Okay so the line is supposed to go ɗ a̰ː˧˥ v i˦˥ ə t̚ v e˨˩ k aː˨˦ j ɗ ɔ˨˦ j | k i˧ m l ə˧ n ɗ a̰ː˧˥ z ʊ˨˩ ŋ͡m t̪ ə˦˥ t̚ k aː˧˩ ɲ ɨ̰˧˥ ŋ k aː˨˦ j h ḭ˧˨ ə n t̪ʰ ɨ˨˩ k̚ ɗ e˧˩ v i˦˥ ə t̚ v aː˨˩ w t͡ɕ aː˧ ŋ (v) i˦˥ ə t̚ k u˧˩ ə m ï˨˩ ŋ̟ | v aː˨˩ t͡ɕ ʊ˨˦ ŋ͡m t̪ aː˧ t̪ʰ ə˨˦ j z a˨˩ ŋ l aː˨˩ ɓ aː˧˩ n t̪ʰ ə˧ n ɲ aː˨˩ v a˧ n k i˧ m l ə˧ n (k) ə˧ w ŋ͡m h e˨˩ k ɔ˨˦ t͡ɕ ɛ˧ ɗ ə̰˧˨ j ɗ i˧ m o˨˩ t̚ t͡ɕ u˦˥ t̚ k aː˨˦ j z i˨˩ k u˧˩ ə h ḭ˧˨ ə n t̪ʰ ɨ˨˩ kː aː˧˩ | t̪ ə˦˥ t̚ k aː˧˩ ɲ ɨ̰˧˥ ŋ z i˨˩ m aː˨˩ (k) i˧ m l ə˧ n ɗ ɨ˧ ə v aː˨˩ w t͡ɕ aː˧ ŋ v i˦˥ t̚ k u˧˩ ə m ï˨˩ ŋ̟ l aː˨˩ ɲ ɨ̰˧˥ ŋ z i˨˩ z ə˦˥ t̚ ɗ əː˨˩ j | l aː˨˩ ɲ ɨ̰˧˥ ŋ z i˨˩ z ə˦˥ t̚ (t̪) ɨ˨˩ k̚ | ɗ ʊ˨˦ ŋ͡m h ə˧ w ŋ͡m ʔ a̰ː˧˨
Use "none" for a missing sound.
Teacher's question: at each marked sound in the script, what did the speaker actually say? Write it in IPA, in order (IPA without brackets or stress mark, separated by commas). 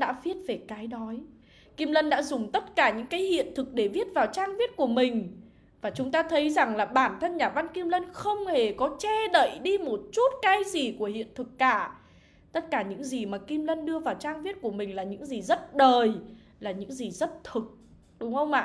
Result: v, x, k, t̪ʰ